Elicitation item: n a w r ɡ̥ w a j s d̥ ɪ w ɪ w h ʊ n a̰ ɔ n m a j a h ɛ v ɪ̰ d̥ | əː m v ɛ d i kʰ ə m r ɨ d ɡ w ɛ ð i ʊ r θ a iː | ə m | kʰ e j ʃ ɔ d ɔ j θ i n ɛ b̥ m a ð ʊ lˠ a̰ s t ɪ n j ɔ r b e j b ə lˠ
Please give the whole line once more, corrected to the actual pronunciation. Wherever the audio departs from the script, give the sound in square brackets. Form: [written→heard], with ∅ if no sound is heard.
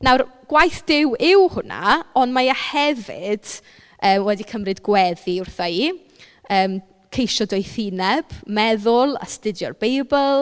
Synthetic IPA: n a w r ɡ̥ w a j [s→θ] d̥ ɪ w ɪ w h ʊ n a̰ ɔ n m a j a h ɛ v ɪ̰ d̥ | əː m [v→w] ɛ d i kʰ ə m r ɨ d ɡ w ɛ ð i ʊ r θ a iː | [ə→əː] m | kʰ e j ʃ ɔ d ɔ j θ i n ɛ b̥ m [a→ɛ] ð ʊ lˠ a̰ s t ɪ [n→d] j ɔ r b e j b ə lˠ